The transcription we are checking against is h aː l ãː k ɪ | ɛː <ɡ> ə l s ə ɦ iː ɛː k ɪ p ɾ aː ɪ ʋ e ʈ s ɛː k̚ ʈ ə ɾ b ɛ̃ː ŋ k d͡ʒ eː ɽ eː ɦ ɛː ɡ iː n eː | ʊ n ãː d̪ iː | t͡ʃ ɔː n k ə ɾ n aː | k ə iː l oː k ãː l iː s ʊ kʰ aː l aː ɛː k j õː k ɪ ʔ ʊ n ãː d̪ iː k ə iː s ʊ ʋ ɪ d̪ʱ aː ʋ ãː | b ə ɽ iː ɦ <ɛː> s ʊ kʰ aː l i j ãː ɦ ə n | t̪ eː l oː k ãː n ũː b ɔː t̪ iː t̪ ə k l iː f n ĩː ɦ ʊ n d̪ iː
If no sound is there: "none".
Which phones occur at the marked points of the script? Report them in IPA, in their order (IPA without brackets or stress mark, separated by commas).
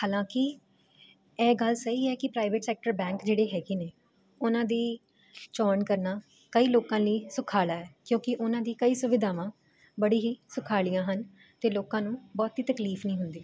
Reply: ɡ, iː